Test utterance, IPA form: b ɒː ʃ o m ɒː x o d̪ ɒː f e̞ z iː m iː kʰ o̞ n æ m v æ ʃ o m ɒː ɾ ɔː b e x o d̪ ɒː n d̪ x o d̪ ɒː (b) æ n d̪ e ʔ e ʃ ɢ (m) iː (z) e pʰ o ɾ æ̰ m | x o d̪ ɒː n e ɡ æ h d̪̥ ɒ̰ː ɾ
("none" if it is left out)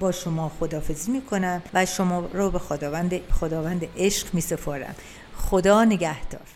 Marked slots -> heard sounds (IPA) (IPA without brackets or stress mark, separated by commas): v, m, s